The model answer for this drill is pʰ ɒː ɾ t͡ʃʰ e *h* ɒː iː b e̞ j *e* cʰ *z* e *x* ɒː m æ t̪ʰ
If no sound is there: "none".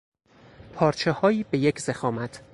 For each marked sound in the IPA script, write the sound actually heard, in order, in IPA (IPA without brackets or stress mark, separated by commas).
h, e, z, x